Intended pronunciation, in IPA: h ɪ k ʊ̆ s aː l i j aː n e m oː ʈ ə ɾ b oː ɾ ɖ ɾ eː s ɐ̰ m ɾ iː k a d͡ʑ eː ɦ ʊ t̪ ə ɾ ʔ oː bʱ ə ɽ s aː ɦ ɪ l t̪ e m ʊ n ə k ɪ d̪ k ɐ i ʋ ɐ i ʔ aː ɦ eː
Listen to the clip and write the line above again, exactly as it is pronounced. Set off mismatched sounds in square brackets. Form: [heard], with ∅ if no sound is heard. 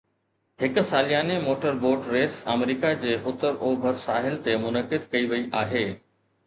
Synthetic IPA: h ɪ k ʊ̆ s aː l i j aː n e m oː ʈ ə ɾ b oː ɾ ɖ ɾ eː s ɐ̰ m ɾ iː k a d͡ʑ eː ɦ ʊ t̪ ə ɾ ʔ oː bʱ ə [ɾ] s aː ɦ ɪ l t̪ e m ʊ n ə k ɪ d̪ k ɐ i ʋ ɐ i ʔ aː ɦ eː